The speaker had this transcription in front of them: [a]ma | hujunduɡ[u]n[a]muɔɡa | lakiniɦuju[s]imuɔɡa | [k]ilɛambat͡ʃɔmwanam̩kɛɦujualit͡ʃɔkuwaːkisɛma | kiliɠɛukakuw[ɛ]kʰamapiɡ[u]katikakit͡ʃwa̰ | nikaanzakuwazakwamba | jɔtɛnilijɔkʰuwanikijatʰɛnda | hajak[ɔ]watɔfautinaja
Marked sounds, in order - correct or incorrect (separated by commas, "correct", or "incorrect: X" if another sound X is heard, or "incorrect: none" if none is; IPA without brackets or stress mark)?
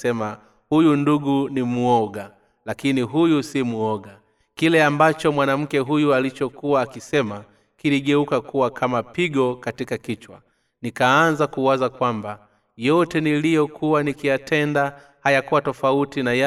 incorrect: ɛ, correct, incorrect: i, correct, correct, incorrect: a, incorrect: ɔ, incorrect: u